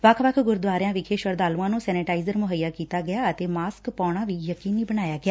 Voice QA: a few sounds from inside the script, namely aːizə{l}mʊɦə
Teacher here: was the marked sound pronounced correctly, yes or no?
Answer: no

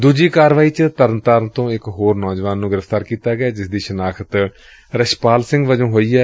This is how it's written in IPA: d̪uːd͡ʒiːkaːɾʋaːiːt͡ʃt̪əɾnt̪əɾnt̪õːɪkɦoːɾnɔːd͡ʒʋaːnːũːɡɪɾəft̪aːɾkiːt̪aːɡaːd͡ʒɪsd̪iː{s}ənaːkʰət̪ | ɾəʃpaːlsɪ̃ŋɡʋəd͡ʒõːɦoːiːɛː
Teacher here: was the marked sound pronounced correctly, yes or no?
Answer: no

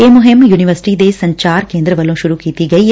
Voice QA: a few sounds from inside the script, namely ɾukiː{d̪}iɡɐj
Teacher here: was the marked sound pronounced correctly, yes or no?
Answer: no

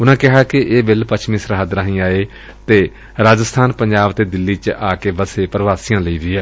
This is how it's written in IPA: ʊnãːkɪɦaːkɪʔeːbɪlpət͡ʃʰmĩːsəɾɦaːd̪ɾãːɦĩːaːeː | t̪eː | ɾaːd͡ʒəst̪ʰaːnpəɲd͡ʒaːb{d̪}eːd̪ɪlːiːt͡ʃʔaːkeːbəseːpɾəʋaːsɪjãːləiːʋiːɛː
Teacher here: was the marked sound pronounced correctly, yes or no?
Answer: no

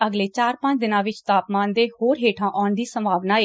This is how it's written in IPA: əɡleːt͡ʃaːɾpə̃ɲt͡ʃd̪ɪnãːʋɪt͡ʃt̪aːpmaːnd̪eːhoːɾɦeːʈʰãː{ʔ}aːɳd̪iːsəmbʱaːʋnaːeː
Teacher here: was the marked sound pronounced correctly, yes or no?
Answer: yes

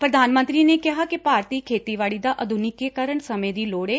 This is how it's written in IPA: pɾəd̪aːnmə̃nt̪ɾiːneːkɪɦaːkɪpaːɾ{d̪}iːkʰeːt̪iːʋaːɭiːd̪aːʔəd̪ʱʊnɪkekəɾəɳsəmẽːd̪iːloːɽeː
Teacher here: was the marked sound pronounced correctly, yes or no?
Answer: no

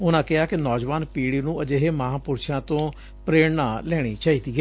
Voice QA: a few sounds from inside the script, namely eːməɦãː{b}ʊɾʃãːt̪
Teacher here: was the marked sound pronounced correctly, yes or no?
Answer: no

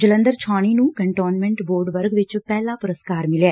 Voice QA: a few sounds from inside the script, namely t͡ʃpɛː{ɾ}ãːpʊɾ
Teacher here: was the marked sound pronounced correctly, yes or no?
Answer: no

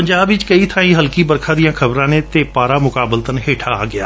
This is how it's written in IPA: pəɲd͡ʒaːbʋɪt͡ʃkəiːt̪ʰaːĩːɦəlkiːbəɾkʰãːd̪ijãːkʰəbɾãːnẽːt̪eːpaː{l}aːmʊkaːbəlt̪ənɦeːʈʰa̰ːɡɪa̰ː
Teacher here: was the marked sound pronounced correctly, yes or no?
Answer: no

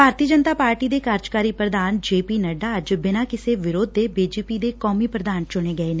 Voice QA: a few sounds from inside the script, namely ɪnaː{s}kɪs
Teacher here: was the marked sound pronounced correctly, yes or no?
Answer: no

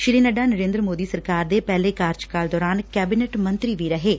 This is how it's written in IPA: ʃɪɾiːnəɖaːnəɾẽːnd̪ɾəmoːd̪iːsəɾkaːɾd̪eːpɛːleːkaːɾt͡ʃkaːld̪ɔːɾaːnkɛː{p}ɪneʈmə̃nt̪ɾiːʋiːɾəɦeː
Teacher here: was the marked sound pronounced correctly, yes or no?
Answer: no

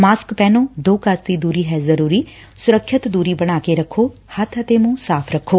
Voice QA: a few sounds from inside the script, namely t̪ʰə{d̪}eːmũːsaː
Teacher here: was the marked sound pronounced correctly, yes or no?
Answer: no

